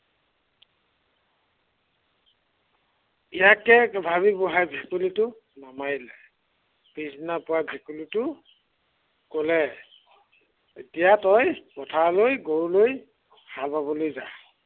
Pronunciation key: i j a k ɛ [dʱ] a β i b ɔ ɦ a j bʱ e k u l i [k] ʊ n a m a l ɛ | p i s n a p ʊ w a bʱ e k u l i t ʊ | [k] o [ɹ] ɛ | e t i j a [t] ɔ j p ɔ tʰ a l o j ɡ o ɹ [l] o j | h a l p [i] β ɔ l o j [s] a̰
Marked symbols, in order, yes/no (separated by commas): no, no, yes, no, yes, yes, no, no